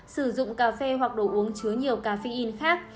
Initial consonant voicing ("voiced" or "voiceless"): voiceless